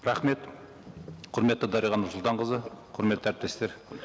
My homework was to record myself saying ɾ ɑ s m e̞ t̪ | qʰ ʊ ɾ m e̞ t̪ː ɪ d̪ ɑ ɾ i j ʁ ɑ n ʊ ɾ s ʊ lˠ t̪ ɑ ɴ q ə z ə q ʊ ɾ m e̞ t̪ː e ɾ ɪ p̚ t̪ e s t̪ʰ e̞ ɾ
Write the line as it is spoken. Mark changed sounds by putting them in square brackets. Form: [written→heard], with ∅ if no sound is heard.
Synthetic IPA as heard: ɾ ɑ [s→χ] m e̞ t̪ | qʰ ʊ ɾ m e̞ t̪ː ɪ d̪ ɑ ɾ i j ʁ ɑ n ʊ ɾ s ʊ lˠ t̪ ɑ ɴ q ə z ə [q→qʰ] ʊ ɾ m e̞ t̪ː [e→æ] ɾ ɪ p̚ t̪ e s [t̪ʰ→t̪] e̞ ɾ